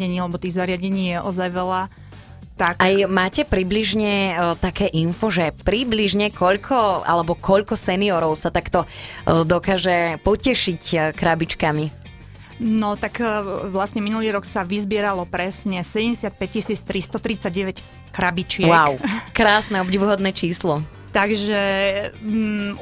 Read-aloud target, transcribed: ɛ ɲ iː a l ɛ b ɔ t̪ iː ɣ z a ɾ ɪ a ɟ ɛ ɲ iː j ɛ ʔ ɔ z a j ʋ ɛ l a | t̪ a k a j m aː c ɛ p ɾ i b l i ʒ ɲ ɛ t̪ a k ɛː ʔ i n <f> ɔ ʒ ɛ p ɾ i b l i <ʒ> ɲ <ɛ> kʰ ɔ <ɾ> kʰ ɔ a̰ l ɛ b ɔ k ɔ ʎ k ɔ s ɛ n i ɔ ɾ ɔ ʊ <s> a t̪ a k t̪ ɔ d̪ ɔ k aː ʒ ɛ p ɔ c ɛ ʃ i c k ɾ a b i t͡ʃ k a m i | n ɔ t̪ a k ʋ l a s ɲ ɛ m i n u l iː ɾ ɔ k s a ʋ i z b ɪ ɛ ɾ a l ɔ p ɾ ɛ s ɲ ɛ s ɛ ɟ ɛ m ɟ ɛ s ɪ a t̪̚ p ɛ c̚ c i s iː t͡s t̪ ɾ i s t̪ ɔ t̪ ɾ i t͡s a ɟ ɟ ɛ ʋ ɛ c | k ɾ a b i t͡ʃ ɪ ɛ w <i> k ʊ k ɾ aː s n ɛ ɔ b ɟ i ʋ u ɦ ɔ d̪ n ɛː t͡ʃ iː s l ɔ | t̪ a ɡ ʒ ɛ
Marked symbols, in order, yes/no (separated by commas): yes, yes, yes, no, yes, no